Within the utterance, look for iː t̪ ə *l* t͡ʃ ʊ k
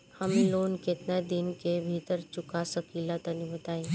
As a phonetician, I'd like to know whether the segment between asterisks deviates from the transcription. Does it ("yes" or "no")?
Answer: yes